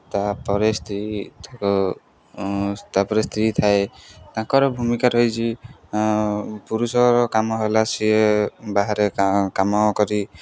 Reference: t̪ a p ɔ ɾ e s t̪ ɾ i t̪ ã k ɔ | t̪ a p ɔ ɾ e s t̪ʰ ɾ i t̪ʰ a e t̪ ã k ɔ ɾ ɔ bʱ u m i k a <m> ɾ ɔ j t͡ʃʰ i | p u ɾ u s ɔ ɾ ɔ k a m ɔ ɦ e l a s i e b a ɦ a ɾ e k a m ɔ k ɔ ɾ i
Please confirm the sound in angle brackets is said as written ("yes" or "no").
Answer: no